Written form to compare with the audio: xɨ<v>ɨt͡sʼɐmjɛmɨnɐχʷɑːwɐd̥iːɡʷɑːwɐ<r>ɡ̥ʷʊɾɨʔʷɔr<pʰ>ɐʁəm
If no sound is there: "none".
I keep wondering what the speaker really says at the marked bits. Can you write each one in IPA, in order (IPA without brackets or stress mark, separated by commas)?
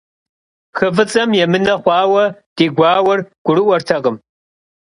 v, r, tʰ